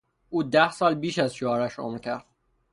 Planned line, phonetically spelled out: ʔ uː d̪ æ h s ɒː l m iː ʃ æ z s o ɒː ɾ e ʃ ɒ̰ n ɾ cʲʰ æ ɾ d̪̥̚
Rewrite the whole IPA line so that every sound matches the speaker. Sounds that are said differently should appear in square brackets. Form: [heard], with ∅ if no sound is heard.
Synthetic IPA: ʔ uː d̪ æ h s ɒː l [b] iː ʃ æ z [ʃ] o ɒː ɾ [æ] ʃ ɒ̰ [m] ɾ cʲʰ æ ɾ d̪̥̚